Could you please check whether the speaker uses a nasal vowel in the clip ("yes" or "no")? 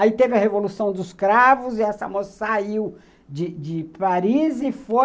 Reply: yes